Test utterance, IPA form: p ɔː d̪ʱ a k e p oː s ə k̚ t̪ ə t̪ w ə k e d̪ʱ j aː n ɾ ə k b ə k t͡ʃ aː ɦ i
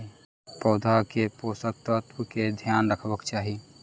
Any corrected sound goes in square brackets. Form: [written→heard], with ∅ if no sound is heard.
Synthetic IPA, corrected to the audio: p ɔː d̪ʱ a k e p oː s ə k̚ t̪ ə t̪ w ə k e d̪ʱ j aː n ɾ ə [k→kʰ] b ə k t͡ʃ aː ɦ i